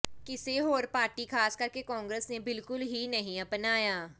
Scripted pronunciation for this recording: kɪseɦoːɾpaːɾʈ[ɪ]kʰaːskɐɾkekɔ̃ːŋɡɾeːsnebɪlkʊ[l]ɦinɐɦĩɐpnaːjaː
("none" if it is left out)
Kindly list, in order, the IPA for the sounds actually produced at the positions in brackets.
i, l

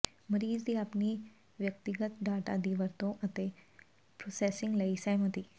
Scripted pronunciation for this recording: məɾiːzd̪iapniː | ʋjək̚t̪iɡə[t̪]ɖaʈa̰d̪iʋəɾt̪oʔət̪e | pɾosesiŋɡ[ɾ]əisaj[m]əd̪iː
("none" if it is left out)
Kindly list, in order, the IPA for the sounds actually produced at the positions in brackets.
t̪, l, m

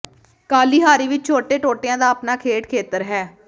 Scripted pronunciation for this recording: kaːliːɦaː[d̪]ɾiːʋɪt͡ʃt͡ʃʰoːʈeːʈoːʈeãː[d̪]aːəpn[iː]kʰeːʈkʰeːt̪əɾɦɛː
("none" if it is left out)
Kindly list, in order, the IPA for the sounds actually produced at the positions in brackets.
none, d̪, aː

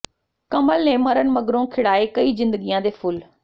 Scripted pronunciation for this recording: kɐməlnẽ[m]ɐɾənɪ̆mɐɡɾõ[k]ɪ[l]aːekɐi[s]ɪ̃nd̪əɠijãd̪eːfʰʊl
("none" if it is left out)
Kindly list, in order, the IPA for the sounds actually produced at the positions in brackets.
m, kʰ, ɽ, z

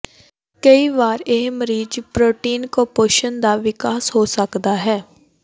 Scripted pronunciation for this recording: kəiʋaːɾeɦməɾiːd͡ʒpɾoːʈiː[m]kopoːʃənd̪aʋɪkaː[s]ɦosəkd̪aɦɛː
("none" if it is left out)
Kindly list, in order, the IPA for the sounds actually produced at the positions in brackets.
n, s

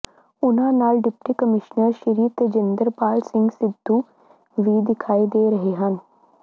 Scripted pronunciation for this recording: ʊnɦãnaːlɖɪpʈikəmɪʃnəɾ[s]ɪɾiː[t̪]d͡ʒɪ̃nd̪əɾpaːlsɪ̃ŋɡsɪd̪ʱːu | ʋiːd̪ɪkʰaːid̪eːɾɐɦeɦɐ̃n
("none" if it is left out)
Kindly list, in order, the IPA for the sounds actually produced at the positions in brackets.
ʃ, t̪

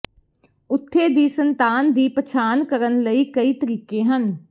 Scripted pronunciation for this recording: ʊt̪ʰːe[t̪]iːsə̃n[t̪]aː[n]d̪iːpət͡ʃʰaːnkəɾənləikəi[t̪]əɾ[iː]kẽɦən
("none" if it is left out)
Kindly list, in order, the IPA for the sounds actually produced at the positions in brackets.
d̪, t̪, n, t̪, iː

